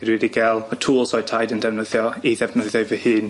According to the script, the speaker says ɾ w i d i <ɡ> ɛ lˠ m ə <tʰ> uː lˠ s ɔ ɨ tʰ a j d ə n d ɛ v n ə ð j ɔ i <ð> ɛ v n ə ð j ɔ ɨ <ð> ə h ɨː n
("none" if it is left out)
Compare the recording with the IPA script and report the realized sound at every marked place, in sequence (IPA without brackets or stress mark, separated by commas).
ɡ, tʰ, ð, v